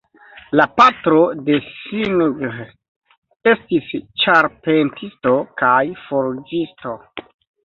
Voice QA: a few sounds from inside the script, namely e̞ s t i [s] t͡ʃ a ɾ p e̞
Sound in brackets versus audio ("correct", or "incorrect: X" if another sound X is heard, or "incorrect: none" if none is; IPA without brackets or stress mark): correct